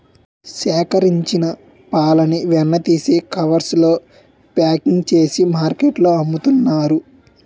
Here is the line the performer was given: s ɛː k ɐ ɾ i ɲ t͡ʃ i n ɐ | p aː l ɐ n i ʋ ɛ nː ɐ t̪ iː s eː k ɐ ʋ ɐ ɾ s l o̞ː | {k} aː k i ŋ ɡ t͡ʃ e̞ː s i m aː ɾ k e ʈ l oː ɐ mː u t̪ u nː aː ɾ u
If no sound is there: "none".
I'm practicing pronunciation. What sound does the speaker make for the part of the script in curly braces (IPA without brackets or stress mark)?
p